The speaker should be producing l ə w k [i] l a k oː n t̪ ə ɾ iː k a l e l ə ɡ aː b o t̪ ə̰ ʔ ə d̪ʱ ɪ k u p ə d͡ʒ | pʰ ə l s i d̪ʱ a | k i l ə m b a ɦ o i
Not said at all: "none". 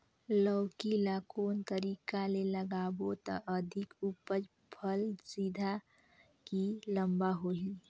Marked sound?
i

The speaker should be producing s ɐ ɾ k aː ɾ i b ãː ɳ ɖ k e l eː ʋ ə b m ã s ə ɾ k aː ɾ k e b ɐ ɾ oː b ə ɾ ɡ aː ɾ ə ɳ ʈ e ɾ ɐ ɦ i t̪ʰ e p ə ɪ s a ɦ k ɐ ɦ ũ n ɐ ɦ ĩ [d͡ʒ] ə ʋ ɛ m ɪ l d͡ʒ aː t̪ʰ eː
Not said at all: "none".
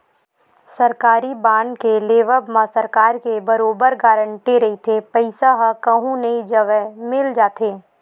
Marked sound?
d͡ʒ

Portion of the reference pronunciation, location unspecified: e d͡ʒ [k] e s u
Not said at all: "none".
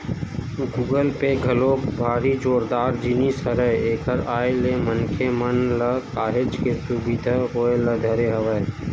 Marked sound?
k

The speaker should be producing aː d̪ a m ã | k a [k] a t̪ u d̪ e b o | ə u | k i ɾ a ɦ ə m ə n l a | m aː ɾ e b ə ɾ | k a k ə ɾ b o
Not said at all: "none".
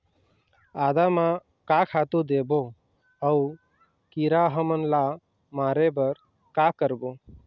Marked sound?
kʰ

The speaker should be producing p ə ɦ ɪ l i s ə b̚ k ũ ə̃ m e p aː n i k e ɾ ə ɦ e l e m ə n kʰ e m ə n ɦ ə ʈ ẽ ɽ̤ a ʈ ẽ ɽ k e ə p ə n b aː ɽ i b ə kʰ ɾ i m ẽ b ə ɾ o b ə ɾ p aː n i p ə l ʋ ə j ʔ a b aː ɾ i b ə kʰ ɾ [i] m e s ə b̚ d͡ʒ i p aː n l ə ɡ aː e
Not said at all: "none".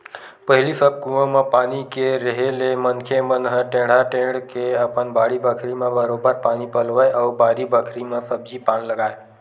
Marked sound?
i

